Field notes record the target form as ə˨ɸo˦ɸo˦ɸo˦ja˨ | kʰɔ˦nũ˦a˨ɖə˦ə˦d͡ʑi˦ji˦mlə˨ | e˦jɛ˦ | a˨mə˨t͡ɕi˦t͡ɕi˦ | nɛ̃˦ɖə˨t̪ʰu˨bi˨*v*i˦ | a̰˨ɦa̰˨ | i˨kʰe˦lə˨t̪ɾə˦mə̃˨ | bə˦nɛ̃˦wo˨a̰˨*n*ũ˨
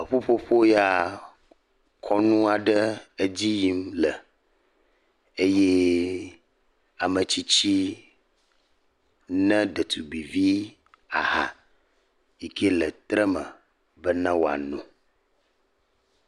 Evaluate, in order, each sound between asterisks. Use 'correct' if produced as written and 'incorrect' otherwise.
correct, correct

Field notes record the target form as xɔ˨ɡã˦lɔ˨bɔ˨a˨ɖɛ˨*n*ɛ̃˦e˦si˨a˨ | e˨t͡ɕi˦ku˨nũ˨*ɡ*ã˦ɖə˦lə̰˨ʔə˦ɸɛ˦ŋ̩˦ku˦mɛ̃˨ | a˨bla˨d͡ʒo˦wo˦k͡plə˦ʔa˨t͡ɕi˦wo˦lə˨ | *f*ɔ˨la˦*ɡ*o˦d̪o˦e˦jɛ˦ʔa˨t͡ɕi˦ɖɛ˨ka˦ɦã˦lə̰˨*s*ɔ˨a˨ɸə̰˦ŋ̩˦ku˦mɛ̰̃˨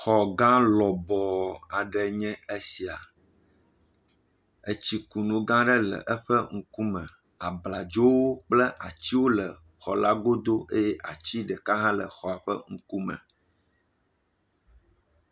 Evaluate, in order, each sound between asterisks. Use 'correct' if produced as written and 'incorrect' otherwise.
incorrect: ɲ, correct, incorrect: x, correct, incorrect: x

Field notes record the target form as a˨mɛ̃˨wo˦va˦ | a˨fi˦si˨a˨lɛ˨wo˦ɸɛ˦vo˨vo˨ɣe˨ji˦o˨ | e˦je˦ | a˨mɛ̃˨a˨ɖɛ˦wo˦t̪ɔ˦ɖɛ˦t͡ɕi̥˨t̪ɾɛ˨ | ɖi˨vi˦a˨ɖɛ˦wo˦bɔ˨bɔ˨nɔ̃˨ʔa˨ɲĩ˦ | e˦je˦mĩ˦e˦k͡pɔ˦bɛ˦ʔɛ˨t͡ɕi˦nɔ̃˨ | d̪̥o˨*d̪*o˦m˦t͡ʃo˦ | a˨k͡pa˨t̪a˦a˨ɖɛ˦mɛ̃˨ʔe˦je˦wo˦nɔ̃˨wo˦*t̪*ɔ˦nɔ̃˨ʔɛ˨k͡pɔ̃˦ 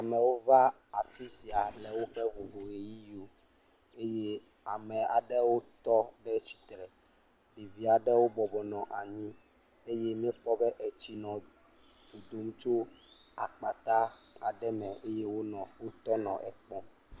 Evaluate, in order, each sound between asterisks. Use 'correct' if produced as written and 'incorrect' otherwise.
correct, correct

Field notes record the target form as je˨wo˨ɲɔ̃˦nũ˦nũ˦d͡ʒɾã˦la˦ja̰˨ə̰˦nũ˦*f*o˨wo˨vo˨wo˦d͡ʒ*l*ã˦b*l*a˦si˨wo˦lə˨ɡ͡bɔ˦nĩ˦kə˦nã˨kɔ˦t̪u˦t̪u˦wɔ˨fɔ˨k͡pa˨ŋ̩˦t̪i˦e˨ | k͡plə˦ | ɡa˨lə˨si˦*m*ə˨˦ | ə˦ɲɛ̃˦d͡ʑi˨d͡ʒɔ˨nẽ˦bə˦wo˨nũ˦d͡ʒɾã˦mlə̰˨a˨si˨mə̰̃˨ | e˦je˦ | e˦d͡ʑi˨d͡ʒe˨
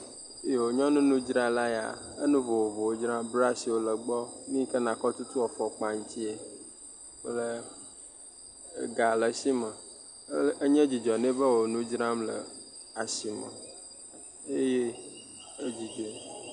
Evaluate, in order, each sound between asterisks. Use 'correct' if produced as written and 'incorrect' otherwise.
incorrect: v, incorrect: ɾ, incorrect: ɾ, correct

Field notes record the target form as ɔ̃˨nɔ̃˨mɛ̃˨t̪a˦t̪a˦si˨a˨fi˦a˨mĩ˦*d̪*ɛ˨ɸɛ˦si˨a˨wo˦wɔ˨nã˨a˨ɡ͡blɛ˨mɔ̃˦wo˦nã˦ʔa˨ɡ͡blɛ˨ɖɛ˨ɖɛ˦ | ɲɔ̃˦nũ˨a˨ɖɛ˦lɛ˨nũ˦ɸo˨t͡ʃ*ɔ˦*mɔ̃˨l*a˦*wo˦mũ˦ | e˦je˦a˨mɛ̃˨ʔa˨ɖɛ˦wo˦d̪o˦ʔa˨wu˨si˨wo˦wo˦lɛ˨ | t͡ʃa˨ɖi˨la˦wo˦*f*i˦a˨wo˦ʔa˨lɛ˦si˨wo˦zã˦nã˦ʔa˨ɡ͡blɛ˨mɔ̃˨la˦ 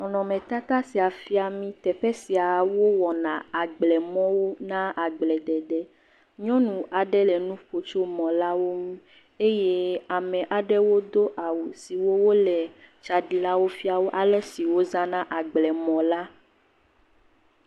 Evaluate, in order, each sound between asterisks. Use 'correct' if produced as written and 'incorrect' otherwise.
incorrect: t̪, incorrect: o˦, correct, correct

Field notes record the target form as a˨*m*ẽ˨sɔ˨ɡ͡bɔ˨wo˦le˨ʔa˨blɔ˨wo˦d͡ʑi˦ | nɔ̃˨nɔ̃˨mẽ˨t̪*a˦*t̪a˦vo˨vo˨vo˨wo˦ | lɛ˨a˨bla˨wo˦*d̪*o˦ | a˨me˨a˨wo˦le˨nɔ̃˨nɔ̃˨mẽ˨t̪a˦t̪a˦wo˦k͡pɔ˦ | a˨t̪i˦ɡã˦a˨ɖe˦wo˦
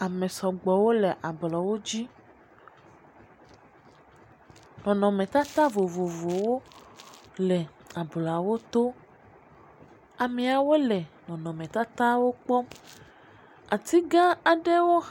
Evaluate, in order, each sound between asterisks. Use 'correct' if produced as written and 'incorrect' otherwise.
correct, correct, incorrect: t̪

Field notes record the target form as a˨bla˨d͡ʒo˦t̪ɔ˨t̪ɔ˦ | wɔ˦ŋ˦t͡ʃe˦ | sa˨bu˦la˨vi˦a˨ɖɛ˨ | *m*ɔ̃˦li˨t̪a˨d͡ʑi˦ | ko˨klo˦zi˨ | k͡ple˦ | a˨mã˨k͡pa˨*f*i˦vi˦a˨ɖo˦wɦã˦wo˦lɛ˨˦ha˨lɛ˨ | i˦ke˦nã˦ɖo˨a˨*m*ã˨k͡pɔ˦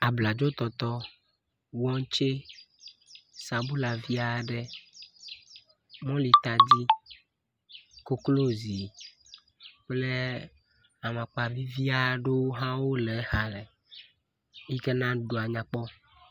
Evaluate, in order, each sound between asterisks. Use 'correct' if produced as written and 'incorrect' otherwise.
correct, incorrect: v, incorrect: ɲ

